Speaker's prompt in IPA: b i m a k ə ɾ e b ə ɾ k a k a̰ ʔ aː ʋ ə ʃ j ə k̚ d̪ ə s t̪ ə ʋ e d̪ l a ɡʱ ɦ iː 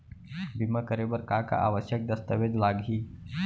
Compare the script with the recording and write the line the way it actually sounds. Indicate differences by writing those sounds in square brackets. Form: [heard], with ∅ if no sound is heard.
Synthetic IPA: b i m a k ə ɾ e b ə ɾ k a k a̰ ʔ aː ʋ ə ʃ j ə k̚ d̪ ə s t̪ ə ʋ e d̪ l a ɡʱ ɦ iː